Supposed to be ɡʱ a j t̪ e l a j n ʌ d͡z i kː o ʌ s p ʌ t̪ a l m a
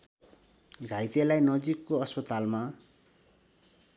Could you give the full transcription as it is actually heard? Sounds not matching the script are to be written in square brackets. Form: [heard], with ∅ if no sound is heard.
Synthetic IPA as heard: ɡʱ a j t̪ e l a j n ʌ d͡z i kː o ʌ s p ʌ t̪ a l m a

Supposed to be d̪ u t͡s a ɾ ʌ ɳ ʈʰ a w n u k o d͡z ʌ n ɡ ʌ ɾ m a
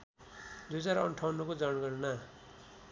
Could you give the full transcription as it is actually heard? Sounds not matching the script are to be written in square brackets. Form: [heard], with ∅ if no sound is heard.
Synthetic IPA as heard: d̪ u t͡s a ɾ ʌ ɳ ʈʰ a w n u k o d͡z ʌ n ɡ ʌ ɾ [n] a

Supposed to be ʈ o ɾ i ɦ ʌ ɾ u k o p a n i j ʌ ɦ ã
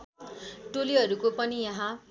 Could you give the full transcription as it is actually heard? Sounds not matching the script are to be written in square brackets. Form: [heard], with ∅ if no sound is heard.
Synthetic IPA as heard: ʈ o [l] i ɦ ʌ ɾ u k o p [ʌ] n i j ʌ ɦ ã

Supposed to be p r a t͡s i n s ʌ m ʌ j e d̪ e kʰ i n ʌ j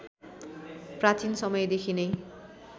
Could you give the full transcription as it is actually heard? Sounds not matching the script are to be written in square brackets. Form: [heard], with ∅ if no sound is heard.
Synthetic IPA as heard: p r a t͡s i n s ʌ m ʌ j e d̪ e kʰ i n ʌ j

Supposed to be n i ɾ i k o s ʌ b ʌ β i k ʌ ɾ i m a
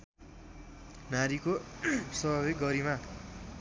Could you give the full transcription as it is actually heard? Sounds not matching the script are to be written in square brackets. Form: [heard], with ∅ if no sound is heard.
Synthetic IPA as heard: n [a] ɾ i k o s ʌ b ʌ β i [ɡ] ʌ ɾ i m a

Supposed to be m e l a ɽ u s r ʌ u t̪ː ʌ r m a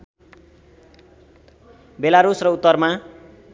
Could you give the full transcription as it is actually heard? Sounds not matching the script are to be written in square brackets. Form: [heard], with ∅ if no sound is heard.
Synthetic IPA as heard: [b] e l a [ɾ] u s r ʌ u t̪ː ʌ r m a

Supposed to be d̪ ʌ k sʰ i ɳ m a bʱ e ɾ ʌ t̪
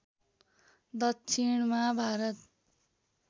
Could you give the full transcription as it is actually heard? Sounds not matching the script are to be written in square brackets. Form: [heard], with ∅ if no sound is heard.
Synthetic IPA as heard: d̪ ʌ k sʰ i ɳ m a bʱ [a] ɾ ʌ t̪

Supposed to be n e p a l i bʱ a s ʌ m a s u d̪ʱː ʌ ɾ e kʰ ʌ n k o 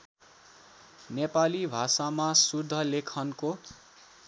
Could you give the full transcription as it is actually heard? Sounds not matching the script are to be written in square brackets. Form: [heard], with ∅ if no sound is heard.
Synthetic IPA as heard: n e p a l i bʱ a s [a] m a s u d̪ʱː ʌ [l] e kʰ ʌ n k o

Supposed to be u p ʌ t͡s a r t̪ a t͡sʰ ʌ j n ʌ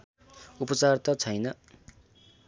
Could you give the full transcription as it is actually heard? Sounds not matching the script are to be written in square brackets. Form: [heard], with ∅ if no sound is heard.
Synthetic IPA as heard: u p ʌ t͡s a r t̪ [ʌ] t͡sʰ ʌ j n ʌ

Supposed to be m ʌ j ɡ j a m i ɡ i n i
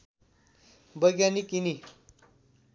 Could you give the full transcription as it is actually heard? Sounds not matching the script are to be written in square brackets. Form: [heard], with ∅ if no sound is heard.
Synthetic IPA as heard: [b] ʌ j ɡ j a [n] i [k] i n i

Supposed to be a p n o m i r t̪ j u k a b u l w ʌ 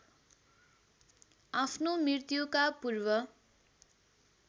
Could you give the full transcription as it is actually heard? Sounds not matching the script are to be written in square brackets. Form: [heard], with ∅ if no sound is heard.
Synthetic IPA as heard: a [pʰ] n o m i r t̪ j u k a [p] u [r] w ʌ

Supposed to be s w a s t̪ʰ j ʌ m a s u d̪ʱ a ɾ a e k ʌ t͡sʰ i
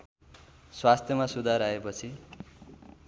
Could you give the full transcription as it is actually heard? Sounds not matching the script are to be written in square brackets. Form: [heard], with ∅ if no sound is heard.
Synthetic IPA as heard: s w a s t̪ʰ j ʌ m a s u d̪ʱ a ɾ a e [p] ʌ t͡sʰ i

